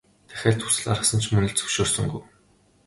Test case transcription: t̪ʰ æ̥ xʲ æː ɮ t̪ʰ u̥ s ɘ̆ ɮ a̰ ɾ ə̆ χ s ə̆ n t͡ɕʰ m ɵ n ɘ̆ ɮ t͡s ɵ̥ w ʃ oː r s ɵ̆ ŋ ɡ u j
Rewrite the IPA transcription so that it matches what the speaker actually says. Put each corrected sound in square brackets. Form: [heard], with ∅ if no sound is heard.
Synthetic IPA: t̪ʰ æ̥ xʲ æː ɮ t̪ʰ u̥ s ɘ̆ ɮ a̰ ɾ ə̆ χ s ə̆ n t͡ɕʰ m ɵ n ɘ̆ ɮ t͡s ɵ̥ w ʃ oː r s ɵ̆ ŋ ɡ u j